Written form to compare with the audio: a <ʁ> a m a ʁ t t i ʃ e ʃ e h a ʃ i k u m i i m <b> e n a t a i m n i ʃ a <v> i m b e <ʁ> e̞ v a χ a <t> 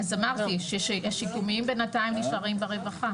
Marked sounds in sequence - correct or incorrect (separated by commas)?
incorrect, correct, incorrect, correct, incorrect